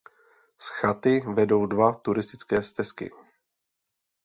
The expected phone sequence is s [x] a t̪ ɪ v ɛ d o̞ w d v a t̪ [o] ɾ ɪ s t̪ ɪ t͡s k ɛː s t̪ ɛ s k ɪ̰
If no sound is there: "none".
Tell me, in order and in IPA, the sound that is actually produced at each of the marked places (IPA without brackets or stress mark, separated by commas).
x, u